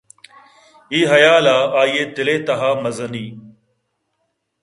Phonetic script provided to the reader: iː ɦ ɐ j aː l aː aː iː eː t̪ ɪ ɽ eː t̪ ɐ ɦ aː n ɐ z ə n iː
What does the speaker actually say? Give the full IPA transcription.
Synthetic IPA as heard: iː ɦ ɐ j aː l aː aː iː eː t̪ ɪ l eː t̪ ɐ ɦ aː m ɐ z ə n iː